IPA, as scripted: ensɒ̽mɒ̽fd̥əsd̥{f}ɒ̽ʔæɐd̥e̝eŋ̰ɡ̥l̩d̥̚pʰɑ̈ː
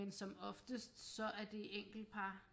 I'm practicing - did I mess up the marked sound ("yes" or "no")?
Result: yes